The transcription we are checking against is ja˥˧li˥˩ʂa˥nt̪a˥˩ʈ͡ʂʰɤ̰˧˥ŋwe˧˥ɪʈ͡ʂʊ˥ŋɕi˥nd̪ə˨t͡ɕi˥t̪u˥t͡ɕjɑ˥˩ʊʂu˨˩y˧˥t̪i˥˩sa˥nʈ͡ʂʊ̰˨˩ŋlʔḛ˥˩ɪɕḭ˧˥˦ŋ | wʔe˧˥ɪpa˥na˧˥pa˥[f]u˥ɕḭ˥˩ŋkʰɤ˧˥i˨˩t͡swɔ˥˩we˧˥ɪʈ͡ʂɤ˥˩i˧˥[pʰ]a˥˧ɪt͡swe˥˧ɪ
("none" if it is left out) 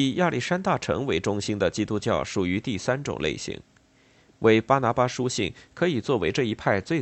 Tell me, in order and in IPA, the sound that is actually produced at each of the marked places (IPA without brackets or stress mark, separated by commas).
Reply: ʂ, pʰ